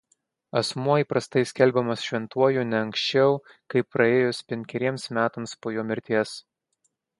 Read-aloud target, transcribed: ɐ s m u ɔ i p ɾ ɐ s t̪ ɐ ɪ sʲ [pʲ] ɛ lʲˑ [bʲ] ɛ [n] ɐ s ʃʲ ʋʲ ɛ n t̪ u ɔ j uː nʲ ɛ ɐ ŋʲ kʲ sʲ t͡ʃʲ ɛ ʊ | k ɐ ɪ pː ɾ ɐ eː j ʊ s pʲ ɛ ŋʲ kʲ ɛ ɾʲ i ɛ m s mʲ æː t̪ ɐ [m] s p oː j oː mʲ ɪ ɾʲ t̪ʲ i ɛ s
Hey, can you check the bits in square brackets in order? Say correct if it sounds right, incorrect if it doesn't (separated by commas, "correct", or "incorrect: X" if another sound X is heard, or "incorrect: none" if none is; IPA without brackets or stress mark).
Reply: incorrect: kʲ, correct, incorrect: m, correct